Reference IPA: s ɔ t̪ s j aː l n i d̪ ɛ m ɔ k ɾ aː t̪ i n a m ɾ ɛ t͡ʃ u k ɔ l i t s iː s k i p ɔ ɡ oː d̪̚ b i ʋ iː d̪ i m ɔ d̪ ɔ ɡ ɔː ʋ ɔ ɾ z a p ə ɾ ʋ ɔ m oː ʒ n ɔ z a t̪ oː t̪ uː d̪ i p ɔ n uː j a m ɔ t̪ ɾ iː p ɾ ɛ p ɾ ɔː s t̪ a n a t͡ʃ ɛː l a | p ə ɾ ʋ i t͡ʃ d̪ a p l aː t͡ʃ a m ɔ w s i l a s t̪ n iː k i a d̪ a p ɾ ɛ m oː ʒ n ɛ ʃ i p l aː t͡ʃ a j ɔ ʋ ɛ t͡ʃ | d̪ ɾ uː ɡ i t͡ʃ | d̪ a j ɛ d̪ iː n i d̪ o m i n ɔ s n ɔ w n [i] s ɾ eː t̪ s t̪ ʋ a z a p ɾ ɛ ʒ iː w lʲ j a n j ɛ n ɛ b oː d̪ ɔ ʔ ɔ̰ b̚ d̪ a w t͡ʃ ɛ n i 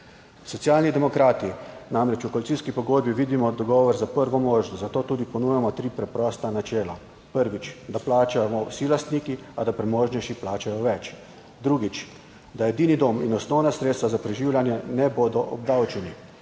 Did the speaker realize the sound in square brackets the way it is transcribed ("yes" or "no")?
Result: no